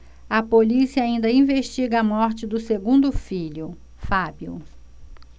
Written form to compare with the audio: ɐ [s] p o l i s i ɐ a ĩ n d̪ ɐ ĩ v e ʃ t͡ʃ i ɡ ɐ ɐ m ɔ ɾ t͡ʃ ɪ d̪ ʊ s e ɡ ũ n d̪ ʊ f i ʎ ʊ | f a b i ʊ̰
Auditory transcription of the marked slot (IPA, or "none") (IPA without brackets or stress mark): none